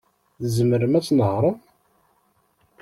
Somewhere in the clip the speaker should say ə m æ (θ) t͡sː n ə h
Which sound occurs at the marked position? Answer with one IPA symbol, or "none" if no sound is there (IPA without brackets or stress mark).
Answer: none